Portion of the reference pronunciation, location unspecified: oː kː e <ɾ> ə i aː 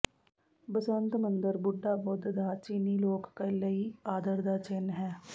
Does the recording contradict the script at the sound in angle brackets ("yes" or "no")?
yes